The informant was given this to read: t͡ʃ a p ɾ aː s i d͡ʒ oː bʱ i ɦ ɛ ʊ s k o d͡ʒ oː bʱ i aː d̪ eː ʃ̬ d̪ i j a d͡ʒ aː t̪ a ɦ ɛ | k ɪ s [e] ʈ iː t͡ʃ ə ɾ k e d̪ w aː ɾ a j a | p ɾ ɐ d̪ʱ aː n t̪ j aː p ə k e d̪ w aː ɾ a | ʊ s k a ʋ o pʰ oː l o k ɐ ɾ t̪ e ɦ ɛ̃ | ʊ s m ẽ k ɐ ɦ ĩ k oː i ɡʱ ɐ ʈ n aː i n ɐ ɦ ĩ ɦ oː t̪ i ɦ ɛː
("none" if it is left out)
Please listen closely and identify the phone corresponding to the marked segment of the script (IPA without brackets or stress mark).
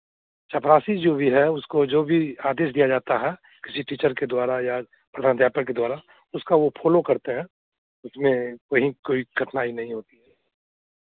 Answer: i